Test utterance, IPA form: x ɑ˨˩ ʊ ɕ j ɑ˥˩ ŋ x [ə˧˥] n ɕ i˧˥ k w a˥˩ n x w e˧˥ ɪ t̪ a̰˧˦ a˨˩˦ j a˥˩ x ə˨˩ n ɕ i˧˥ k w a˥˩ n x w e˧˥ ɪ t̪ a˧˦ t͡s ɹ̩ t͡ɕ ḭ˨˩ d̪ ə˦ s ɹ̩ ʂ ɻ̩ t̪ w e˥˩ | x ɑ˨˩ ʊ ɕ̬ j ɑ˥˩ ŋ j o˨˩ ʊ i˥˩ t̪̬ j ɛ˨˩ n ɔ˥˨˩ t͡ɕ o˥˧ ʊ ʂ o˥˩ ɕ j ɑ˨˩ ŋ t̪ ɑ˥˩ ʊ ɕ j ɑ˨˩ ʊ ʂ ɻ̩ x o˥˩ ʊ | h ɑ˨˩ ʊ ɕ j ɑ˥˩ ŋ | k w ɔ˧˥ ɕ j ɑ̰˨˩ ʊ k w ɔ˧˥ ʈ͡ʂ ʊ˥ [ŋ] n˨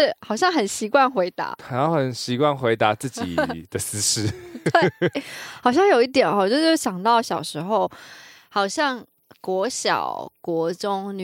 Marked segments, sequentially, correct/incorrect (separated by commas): incorrect, correct